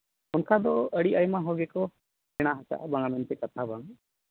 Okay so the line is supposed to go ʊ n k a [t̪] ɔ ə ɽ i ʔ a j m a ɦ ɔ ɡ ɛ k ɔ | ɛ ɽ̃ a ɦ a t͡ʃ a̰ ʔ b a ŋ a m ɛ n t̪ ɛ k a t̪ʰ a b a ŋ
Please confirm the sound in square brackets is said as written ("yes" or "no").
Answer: no